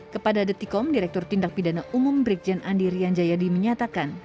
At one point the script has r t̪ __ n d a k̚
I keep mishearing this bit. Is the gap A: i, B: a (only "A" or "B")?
A